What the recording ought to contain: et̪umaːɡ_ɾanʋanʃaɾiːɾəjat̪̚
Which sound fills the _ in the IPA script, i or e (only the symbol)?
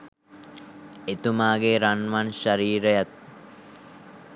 e